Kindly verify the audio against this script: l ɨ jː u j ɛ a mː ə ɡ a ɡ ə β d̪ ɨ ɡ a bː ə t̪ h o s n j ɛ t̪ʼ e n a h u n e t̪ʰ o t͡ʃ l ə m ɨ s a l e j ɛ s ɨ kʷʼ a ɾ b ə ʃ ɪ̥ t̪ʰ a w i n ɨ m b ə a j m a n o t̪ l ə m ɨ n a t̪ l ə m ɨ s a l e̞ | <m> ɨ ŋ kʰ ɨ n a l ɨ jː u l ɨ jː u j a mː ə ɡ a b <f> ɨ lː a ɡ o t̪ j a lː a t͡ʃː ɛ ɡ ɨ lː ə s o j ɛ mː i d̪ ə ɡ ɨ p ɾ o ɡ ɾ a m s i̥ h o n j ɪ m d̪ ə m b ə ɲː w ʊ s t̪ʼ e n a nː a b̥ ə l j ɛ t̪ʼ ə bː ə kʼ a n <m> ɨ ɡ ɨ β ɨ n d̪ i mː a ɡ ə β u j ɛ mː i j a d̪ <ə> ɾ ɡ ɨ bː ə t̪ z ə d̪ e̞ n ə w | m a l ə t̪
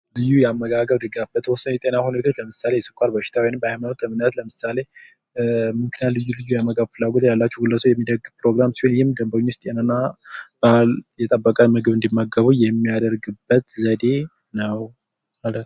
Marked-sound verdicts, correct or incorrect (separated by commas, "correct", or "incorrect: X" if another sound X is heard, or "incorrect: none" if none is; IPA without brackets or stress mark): correct, correct, correct, correct